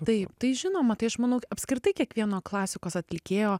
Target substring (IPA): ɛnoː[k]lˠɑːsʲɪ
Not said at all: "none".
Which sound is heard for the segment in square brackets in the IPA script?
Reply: k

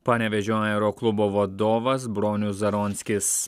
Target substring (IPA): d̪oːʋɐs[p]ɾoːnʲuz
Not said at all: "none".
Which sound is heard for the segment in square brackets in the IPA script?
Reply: b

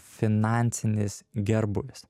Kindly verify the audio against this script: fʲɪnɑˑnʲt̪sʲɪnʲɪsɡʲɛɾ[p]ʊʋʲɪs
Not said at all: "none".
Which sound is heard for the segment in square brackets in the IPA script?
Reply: b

